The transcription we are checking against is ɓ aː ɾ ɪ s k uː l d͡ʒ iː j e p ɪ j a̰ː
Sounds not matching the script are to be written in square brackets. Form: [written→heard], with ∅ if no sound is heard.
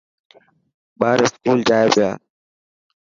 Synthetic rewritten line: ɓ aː ɾ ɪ s k uː l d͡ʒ [iː→aː] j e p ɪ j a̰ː